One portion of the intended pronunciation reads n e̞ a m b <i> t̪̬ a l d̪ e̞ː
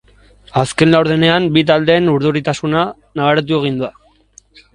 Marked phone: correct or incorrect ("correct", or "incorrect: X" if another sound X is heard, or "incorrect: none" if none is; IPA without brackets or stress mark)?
correct